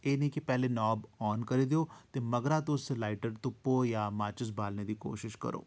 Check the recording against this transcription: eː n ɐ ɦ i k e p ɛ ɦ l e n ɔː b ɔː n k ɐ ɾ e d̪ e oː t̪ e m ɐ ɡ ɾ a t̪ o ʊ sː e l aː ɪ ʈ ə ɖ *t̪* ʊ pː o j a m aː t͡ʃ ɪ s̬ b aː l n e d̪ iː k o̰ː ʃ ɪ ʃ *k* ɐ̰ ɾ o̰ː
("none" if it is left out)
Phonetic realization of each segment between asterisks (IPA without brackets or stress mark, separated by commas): t̪, k